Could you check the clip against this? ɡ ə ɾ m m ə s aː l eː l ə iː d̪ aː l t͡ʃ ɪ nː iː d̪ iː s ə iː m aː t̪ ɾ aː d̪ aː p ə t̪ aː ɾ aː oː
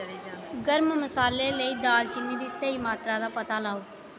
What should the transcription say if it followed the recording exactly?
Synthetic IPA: ɡ ə ɾ m m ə s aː l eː l ə iː d̪ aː l t͡ʃ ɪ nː iː d̪ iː s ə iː m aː t̪ ɾ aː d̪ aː p ə t̪ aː l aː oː